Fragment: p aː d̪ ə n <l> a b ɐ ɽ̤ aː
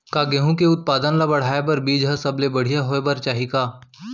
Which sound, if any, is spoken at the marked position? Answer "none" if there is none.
l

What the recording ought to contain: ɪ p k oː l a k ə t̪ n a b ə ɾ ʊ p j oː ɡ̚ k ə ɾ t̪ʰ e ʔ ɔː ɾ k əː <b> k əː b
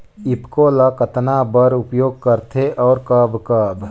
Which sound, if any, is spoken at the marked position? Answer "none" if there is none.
b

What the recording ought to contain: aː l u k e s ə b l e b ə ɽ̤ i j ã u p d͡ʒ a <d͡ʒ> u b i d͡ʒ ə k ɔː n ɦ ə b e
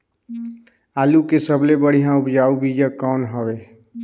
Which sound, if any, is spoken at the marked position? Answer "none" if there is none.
none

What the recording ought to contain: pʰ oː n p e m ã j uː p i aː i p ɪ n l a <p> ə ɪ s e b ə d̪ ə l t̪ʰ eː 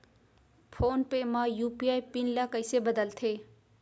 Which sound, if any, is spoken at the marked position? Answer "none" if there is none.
k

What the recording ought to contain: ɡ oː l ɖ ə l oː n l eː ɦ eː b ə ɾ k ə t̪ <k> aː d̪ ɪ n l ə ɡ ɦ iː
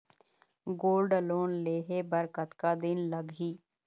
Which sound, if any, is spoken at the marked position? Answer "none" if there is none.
k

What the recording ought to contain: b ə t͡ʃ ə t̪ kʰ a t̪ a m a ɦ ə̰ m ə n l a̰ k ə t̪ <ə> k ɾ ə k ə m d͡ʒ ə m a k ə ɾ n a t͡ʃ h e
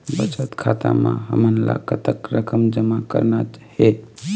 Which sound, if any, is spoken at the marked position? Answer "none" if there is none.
ə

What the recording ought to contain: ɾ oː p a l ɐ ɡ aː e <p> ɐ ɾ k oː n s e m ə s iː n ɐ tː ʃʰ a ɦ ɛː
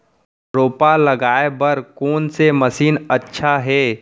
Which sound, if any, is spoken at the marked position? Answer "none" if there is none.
b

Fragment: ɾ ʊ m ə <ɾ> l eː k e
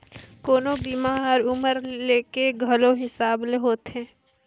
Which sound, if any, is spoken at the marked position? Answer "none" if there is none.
ɾ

